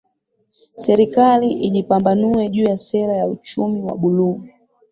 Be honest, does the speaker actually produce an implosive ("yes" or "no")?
yes